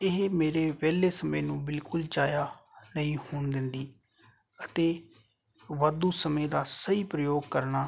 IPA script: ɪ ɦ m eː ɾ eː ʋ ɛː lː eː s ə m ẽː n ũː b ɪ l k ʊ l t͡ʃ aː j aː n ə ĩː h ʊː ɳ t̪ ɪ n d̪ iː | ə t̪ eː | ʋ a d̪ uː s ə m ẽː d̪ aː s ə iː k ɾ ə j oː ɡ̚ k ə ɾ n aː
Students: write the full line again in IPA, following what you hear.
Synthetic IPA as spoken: ɪ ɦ m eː ɾ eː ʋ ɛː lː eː s ə m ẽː n ũː b ɪ l k ʊ l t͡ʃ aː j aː n ə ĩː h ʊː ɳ d̪ ɪ n d̪ iː | ə t̪ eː | ʋ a d̪ uː s ə m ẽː d̪ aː s ə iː p ɾ ə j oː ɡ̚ k ə ɾ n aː